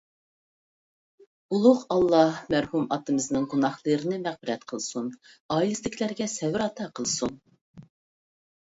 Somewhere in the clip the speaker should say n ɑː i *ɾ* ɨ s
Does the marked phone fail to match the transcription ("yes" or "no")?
yes